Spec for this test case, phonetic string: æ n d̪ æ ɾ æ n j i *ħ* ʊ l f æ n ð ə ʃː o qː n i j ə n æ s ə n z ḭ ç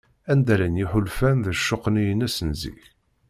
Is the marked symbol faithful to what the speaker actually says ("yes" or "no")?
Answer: yes